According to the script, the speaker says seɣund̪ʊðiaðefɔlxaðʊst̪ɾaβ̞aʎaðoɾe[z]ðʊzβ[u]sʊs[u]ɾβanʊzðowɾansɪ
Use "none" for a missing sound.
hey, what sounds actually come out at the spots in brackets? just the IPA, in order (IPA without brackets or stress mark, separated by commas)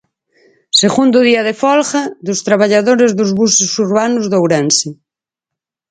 z, u, u